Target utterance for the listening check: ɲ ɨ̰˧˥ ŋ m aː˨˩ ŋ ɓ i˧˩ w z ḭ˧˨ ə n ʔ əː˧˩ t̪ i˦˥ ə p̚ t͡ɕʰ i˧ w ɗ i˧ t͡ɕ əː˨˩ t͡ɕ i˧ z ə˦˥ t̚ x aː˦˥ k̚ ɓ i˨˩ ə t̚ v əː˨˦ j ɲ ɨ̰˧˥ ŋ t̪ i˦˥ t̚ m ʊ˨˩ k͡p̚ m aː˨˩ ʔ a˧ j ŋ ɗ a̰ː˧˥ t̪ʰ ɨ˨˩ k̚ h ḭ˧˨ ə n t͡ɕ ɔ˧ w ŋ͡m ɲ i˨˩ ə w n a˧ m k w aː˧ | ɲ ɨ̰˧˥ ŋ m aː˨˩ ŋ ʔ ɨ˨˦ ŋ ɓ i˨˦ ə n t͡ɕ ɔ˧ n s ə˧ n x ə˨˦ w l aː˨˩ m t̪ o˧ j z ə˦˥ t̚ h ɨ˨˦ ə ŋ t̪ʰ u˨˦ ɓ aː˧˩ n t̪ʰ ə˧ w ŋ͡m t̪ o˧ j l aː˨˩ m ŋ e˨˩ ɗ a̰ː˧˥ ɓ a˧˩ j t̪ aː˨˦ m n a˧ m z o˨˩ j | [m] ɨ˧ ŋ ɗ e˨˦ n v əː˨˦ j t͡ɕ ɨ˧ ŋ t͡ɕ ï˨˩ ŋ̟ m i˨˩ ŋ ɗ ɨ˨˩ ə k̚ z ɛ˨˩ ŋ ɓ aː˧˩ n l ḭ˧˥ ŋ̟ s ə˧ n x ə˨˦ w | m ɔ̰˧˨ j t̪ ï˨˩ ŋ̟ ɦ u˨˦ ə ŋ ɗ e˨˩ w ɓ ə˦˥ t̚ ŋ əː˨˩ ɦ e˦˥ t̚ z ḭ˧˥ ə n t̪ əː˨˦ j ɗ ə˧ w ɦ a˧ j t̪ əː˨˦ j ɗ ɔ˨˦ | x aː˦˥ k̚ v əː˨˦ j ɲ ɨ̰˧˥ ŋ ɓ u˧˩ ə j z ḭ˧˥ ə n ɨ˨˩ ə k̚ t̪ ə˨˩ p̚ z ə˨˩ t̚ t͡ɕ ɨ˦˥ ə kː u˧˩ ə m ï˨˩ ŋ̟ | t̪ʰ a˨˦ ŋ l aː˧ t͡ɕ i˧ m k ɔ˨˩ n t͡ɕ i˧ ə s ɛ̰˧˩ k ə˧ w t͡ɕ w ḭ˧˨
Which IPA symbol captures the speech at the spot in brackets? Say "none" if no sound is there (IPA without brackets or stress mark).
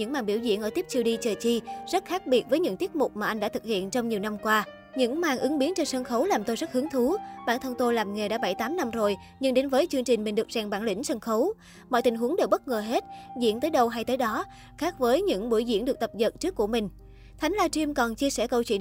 ɲ